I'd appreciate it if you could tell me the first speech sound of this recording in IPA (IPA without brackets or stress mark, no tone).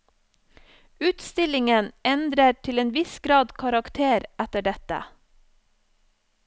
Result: ʉː